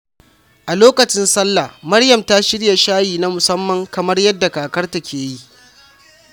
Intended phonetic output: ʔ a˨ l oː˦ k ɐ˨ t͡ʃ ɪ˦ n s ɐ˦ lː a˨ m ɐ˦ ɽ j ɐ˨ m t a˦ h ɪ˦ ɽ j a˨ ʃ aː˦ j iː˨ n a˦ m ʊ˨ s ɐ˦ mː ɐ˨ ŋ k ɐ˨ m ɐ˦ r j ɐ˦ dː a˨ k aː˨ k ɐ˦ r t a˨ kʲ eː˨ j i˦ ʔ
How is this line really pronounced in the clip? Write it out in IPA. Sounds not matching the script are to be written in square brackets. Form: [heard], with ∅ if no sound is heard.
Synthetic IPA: ʔ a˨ l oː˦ k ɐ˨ t͡ʃ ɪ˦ n s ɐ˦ lː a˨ m ɐ˦ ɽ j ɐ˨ m t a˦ [ʃ] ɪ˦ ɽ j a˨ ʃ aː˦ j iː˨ n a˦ m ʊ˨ s ɐ˦ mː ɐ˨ ŋ k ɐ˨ m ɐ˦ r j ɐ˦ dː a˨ k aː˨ k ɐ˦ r t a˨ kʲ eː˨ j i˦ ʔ